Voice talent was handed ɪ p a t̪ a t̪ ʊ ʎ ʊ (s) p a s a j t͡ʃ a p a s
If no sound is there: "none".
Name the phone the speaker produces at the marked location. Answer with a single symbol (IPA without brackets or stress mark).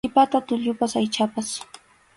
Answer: none